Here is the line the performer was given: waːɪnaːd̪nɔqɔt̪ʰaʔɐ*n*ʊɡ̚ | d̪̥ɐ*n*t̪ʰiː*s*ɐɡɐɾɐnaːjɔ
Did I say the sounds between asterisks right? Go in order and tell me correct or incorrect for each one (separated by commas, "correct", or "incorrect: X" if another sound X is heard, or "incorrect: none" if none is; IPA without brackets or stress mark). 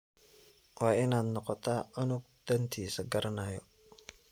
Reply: correct, correct, correct